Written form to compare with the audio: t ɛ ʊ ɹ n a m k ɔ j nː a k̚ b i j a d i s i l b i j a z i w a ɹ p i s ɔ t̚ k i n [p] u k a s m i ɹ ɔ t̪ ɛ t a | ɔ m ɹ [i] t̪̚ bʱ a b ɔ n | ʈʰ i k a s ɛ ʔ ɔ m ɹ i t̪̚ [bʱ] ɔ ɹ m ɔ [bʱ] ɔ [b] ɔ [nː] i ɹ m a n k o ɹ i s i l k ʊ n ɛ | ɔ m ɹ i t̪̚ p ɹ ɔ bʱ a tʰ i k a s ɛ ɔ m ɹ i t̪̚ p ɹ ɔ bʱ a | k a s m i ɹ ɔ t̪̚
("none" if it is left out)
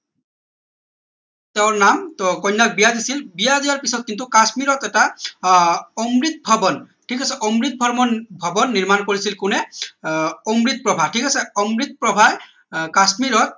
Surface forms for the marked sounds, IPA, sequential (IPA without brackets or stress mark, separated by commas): t, i, bʱ, bʱ, b, nː